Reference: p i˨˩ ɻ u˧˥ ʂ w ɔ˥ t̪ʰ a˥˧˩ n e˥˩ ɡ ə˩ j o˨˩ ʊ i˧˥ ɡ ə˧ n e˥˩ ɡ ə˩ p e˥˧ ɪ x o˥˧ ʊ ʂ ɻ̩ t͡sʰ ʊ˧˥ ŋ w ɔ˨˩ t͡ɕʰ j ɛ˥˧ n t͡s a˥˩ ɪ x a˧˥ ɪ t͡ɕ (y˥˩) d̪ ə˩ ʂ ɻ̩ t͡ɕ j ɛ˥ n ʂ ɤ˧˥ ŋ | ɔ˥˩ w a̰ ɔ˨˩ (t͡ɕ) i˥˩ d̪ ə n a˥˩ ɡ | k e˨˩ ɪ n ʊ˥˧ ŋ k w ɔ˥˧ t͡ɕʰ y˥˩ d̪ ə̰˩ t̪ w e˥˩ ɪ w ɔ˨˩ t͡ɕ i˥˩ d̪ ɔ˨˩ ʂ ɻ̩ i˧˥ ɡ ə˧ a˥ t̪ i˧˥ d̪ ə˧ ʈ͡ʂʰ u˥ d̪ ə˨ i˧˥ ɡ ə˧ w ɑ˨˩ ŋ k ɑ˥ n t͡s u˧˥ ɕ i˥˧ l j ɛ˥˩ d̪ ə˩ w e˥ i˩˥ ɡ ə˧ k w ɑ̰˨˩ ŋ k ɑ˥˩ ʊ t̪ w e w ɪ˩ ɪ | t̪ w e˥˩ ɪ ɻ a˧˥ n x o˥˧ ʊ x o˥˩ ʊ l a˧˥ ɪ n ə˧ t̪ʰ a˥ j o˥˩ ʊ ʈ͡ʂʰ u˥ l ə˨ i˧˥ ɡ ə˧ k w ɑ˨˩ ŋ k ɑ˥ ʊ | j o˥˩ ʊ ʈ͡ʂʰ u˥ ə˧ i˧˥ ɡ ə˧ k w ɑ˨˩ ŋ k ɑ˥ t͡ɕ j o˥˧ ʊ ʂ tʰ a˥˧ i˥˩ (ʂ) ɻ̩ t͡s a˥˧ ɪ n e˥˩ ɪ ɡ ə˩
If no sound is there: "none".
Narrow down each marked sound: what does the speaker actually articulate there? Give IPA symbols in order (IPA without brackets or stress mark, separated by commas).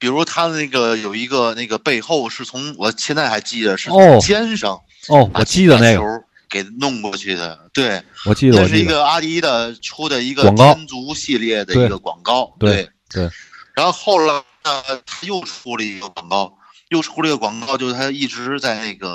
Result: i˥˩, t͡ɕ, ʈ͡ʂ